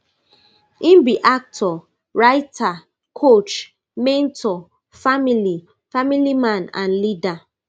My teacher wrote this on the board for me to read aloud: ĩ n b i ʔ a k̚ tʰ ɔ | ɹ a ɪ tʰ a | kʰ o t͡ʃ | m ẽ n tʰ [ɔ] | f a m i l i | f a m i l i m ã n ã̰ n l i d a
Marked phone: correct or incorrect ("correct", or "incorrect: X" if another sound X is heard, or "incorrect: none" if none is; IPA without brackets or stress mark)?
correct